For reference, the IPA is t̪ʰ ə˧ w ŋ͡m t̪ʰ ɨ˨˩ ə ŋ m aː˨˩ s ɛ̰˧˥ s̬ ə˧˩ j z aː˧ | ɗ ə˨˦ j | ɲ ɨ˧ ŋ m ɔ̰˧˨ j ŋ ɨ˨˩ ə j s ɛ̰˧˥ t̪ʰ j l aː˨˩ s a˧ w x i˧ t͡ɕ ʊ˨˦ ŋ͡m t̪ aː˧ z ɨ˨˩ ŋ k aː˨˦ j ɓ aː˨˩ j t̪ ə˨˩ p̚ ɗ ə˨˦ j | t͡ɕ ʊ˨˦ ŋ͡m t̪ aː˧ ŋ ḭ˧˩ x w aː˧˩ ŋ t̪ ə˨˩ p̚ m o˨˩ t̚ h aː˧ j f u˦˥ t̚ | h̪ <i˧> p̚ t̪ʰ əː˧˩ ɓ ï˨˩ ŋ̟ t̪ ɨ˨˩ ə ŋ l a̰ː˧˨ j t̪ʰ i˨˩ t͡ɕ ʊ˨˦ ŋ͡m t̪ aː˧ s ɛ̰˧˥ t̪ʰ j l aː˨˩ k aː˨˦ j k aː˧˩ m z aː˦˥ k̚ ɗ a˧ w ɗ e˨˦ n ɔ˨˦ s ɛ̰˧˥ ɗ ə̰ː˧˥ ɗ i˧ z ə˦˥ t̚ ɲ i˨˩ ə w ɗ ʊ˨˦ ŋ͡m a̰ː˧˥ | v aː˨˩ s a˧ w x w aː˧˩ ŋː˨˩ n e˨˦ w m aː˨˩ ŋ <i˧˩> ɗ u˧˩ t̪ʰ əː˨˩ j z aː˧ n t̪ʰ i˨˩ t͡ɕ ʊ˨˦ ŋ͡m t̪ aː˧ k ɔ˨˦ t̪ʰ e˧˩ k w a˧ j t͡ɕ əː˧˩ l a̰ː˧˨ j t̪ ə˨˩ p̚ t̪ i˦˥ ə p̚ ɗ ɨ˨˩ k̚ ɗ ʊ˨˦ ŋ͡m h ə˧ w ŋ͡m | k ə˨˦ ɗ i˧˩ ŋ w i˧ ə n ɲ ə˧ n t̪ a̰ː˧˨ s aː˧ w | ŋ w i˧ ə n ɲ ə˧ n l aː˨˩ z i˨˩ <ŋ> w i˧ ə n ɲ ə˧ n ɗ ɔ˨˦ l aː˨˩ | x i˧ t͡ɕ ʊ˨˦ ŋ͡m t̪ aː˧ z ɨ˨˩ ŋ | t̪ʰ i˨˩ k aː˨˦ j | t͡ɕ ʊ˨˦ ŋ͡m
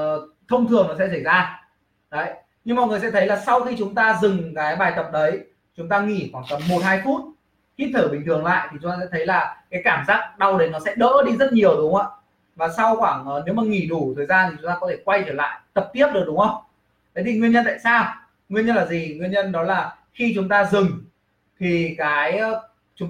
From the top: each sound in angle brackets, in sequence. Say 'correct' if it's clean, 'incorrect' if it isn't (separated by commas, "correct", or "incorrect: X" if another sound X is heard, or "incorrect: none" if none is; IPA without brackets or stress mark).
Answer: incorrect: i˦˥, correct, correct